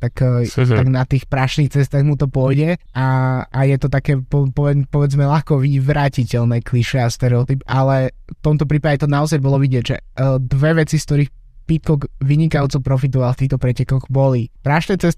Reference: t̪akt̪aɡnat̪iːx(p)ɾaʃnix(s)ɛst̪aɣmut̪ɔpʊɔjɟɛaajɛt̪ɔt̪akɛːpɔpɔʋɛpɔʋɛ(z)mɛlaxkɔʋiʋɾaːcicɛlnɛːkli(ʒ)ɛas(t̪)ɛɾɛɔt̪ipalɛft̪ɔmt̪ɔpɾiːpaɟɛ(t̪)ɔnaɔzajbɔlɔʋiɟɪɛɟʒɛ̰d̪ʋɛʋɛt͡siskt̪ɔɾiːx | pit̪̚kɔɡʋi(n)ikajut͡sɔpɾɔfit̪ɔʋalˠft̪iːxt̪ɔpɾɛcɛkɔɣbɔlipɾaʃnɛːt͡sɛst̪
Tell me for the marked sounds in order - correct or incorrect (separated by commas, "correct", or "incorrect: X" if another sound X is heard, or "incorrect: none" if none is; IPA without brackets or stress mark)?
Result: correct, incorrect: t͡s, incorrect: d͡z, incorrect: ʃ, correct, correct, incorrect: ɲ